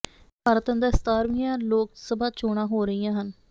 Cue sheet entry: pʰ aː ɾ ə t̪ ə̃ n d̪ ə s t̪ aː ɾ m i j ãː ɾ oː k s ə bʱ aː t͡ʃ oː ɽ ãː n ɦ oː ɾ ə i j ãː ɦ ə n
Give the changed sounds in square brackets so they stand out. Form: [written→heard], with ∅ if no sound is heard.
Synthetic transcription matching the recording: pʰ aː ɾ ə t̪ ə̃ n d̪ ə s t̪ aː ɾ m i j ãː [ɾ→l] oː k s ə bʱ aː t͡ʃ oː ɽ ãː [n→∅] ɦ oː ɾ ə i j ãː ɦ ə n

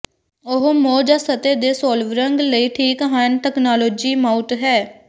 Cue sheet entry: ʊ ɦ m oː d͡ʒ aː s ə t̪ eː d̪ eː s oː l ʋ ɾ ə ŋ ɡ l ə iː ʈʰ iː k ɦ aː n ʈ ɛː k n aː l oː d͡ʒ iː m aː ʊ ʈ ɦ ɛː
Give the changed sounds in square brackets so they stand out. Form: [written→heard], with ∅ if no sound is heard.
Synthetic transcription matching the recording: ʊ ɦ m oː d͡ʒ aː s ə t̪ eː d̪ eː s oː l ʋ ɾ ə ŋ ɡ l ə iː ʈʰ iː k ɦ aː n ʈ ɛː k n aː l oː d͡ʒ iː m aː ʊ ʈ ɦ ɛː

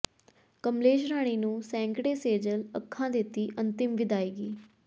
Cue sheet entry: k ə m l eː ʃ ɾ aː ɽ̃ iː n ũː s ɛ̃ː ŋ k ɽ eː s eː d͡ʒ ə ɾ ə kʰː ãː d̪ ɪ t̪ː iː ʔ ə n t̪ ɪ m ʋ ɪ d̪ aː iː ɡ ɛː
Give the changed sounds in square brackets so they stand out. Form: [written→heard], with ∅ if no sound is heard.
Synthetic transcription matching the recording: k ə m l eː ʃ ɾ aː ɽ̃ iː n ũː s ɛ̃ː ŋ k ɽ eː s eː d͡ʒ ə [ɾ→l] ə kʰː ãː d̪ ɪ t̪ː iː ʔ ə n t̪ ɪ m ʋ ɪ d̪ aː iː ɡ [ɛː→iː]

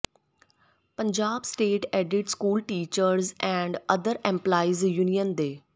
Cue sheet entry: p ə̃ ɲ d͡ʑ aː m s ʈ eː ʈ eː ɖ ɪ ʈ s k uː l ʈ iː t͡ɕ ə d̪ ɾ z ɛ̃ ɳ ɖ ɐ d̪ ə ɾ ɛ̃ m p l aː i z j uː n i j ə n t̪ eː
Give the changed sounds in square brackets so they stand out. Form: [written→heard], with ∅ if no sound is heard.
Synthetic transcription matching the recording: p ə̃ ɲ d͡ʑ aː [m→b] s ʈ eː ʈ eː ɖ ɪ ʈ s k uː l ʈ iː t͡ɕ ə [d̪→∅] ɾ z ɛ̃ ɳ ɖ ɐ d̪ ə ɾ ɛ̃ m p l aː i z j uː n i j ə n [t̪→d̪] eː

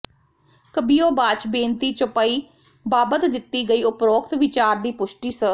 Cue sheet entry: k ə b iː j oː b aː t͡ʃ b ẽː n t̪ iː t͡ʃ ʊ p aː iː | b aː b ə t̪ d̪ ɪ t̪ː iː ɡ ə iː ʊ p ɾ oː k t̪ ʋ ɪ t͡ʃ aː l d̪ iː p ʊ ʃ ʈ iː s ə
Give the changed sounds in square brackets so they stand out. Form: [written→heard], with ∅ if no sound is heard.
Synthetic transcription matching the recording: k ə b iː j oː b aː t͡ʃ b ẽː n t̪ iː t͡ʃ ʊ p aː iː | b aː b ə t̪ d̪ ɪ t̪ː iː ɡ ə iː ʊ p ɾ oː k t̪ ʋ ɪ t͡ʃ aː [l→ɾ] d̪ iː p ʊ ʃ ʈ iː s ə

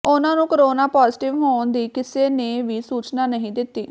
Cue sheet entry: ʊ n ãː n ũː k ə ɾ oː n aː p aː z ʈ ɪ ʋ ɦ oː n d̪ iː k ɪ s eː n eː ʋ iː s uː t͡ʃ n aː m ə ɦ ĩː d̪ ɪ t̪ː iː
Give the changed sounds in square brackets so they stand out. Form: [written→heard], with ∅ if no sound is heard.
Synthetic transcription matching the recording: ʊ n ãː n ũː k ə ɾ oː n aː p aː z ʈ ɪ ʋ ɦ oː n d̪ iː k ɪ s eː n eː ʋ iː s uː t͡ʃ n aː [m→n] ə ɦ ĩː d̪ ɪ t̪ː iː

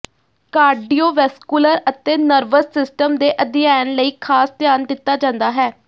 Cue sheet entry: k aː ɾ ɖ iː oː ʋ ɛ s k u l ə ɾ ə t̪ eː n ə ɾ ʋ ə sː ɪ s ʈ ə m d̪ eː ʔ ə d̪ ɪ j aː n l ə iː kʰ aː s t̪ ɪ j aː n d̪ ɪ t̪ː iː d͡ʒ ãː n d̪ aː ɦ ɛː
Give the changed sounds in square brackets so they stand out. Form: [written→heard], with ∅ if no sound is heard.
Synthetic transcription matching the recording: k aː ɾ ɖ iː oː ʋ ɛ s k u l ə ɾ ə t̪ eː n ə ɾ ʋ ə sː ɪ s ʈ ə m d̪ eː ʔ ə d̪ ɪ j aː n l ə iː kʰ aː s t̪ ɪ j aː n d̪ ɪ t̪ː [iː→aː] d͡ʒ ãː n d̪ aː ɦ ɛː

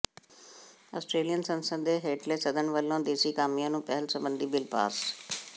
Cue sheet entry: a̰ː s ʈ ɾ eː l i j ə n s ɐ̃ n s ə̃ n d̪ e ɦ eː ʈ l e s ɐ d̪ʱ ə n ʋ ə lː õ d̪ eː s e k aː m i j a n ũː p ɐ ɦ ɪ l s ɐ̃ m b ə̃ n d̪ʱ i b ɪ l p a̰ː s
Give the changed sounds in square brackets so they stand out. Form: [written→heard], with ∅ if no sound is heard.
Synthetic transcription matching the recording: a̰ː s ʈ ɾ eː l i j ə n s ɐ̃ n s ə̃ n d̪ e ɦ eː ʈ l e s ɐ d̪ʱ ə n ʋ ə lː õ d̪ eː s [e→i] k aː m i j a n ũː p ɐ ɦ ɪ l s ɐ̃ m b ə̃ n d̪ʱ i b ɪ l p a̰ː s

